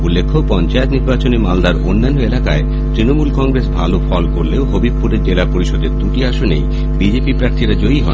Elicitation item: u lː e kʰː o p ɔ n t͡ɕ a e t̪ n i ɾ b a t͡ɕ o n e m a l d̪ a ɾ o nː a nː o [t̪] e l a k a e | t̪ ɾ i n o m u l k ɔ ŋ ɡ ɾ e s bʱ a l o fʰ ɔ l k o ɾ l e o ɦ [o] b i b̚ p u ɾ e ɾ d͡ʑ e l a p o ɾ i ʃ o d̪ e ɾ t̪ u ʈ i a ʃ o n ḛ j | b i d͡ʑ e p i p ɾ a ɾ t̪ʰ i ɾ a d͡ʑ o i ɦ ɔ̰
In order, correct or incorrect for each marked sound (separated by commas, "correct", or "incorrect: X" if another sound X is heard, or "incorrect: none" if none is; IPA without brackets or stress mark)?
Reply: incorrect: none, correct